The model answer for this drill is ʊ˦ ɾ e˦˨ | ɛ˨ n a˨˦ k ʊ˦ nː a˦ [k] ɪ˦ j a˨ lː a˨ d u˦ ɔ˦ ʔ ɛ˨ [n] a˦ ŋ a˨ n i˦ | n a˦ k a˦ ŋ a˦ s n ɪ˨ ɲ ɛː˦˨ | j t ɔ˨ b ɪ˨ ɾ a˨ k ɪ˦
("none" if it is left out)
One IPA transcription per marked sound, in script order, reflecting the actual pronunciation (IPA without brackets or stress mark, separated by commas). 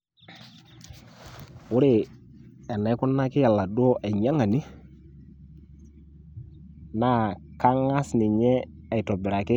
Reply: k, ɲ